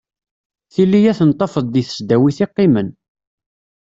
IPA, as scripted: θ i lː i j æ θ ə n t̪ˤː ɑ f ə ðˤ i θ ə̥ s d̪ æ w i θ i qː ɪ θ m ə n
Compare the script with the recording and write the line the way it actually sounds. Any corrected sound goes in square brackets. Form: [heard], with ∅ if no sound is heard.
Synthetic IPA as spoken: θ i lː i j æ θ ə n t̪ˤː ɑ f ə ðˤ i θ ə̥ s d̪ æ w i θ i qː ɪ [∅] m ə n